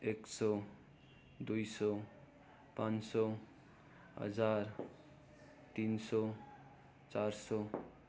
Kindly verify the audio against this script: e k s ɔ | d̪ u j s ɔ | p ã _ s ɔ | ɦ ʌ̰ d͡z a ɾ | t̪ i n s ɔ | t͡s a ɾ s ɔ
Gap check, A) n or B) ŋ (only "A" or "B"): A